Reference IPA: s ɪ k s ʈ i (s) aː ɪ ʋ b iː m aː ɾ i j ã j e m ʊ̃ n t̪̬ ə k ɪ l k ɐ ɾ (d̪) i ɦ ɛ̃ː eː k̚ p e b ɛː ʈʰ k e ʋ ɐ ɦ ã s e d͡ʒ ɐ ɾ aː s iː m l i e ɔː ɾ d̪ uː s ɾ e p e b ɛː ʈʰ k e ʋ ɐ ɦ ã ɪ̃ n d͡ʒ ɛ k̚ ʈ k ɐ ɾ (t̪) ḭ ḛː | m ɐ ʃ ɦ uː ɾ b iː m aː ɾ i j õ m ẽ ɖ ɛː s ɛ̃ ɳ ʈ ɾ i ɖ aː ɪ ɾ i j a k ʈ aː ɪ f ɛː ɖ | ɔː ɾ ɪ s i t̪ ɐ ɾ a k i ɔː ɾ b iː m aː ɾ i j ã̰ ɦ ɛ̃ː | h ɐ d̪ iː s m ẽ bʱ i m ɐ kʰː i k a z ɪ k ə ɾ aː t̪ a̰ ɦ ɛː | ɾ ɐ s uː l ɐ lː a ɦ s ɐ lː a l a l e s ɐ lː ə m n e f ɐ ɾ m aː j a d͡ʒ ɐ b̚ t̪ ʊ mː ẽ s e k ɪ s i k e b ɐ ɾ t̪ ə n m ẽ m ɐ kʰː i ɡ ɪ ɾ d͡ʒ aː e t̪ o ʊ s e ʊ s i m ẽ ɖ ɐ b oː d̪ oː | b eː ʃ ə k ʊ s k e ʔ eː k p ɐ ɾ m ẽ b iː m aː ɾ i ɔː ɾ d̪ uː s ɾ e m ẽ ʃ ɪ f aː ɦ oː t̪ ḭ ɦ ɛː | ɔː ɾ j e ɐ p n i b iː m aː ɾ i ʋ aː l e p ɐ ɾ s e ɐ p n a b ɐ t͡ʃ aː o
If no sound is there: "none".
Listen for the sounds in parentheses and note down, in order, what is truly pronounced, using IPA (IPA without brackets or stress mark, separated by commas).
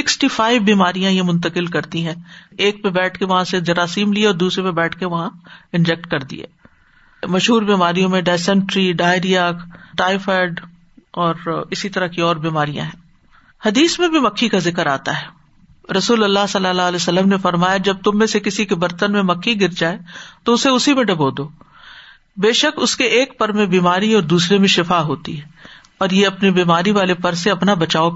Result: f, t̪, d̪